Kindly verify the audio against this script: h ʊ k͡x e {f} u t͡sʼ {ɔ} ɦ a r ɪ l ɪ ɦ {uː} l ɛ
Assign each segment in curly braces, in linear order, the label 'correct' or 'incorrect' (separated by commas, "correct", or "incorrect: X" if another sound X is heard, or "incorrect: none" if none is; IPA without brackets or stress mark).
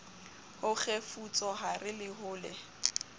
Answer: correct, correct, incorrect: ʊː